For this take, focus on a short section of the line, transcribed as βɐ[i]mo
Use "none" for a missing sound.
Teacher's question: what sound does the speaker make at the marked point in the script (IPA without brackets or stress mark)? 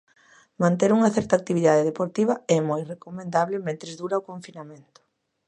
ɛ